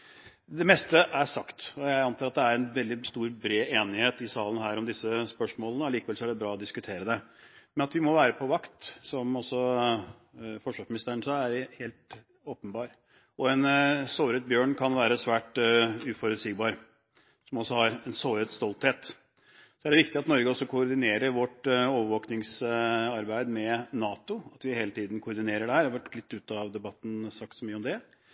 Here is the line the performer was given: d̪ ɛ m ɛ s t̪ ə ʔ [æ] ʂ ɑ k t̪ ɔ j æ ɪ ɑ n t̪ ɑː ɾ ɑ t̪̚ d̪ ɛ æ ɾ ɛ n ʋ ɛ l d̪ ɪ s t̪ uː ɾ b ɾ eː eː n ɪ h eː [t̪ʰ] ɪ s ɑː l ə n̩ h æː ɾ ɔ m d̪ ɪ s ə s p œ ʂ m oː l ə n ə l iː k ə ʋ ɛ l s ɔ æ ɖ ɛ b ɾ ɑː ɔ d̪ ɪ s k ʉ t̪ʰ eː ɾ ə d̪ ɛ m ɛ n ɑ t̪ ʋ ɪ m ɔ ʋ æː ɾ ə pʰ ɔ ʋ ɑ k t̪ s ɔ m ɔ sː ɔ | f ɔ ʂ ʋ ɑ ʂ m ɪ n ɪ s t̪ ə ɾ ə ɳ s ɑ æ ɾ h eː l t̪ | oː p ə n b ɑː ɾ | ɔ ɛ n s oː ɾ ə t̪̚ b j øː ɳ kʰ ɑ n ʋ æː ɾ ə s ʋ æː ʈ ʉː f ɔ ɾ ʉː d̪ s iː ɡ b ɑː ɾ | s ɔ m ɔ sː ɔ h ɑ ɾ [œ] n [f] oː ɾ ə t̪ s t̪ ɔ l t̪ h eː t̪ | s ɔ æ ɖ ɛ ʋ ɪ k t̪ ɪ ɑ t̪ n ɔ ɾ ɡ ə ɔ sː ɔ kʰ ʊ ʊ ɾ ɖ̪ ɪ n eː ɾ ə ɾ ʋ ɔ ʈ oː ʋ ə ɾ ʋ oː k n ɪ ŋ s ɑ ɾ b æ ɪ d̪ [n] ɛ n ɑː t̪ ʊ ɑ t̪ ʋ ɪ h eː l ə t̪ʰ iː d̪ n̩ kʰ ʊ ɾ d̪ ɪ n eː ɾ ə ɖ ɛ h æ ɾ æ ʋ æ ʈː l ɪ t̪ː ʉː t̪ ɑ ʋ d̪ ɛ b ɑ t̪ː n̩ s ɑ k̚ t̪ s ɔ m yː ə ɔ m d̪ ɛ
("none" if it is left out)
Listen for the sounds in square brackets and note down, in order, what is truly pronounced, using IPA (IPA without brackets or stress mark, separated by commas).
æ, t̪, ɛ, s, m